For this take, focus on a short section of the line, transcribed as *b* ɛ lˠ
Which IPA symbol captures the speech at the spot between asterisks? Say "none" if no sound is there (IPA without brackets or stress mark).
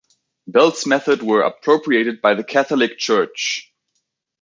b